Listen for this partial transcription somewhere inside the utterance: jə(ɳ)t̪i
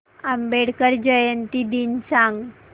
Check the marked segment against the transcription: incorrect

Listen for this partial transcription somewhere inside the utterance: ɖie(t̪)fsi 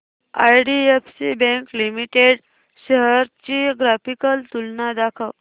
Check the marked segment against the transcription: incorrect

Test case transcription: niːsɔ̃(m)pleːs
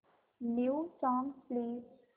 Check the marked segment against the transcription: incorrect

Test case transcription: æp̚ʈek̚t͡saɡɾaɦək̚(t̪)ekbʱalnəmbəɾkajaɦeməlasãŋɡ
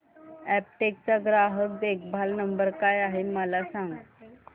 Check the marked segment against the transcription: incorrect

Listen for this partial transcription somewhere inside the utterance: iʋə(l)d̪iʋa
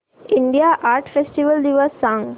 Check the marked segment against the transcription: correct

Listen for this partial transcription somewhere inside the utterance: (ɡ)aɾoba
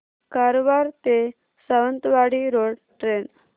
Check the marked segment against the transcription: incorrect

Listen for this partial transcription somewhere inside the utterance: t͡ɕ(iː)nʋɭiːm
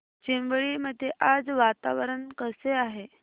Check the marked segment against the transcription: incorrect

